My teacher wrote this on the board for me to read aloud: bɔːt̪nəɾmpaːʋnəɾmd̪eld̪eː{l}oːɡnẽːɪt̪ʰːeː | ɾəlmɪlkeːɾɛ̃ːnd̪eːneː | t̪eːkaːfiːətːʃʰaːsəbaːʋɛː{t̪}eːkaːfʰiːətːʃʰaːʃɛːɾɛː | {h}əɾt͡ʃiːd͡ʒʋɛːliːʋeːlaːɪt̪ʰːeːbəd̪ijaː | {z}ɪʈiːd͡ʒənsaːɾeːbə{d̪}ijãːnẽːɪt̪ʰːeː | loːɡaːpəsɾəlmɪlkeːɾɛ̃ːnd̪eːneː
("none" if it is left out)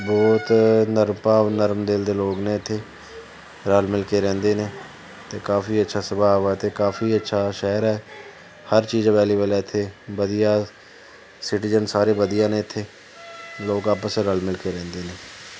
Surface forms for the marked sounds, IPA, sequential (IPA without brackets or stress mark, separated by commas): l, t̪, h, s, d̪